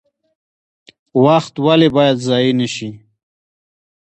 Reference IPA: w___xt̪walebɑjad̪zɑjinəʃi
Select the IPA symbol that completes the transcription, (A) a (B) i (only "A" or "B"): A